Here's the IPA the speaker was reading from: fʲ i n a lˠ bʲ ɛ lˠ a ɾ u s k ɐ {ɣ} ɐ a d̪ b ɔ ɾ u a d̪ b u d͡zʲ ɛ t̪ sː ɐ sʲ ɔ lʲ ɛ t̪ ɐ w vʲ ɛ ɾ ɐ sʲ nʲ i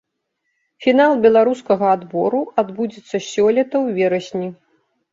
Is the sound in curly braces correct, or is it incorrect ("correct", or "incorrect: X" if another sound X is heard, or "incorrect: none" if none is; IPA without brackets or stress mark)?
correct